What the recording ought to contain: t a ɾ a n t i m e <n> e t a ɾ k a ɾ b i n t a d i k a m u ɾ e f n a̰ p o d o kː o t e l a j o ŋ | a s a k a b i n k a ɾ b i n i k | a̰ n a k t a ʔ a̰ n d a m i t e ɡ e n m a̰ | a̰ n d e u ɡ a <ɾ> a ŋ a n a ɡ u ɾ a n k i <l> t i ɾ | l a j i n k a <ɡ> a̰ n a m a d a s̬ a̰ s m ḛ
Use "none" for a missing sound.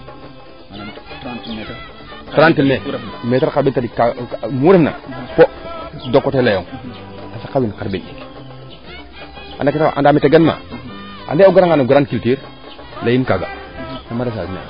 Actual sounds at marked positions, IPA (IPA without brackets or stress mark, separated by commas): m, ɾ, l, ɡ